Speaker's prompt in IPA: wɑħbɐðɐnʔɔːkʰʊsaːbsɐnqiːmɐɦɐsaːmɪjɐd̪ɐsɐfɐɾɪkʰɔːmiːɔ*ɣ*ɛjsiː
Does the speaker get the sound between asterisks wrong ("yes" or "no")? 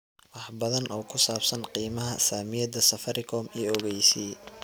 no